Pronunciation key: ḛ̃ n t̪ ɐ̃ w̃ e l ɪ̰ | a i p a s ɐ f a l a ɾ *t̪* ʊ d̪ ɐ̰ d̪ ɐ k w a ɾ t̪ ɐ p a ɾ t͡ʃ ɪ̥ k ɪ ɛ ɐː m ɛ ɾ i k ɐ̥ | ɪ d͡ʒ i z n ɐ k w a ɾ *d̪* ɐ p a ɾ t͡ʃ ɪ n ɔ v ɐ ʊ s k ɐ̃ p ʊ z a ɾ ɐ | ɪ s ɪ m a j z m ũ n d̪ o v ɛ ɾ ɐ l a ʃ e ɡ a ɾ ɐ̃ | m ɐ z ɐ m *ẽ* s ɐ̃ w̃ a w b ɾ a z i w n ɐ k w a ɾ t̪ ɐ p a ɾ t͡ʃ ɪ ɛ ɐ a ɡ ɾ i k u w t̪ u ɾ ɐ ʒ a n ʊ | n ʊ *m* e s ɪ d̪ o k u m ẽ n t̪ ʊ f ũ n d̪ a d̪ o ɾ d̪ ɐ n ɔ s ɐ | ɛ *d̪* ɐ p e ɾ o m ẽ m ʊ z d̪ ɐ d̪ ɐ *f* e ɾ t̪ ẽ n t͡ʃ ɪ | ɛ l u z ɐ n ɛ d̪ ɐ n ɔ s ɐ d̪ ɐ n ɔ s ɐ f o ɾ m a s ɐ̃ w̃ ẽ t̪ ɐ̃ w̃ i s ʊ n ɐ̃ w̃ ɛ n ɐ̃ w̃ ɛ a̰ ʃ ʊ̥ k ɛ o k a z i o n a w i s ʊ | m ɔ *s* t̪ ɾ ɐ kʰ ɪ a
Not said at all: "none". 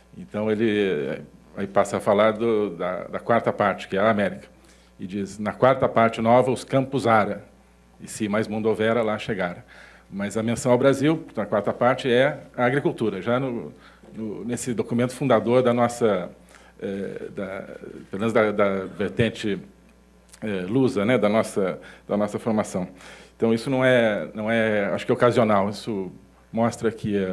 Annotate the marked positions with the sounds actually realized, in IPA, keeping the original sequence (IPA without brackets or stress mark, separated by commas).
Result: d̪, t̪, ẽ, n, d̪, v, s